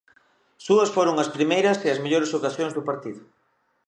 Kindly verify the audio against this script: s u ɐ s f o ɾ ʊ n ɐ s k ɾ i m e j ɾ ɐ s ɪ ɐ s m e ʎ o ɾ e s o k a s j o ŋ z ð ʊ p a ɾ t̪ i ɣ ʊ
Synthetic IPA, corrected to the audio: s u ɐ s f o ɾ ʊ ŋ ɐ s p ɾ i m e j ɾ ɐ s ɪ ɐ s m e ʎ o ɾ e s o k a s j o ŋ z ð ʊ p a ɾ t̪ i ð ʊ